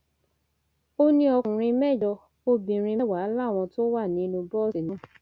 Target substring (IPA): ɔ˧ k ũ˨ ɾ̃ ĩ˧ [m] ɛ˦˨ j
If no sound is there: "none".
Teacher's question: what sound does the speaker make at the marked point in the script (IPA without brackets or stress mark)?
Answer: m